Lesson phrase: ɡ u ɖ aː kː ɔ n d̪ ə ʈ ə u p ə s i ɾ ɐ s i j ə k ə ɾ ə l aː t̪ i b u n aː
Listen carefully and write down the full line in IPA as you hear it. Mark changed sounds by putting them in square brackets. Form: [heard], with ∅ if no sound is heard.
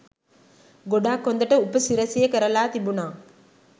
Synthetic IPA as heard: ɡ [o] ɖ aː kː [o] n d̪ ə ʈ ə u p ə s i ɾ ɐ s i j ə k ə ɾ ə l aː t̪ i b u n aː